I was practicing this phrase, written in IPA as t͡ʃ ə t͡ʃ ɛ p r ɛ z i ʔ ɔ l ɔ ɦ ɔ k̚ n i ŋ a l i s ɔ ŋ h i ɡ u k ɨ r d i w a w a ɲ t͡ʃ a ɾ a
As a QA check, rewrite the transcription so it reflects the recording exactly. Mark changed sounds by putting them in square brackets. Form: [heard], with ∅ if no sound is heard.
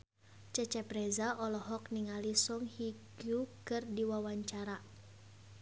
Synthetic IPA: t͡ʃ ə t͡ʃ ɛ p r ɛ z [a] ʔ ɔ l ɔ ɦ ɔ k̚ n i ŋ a l i s ɔ ŋ h i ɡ u k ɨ r d i w a w a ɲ t͡ʃ a ɾ a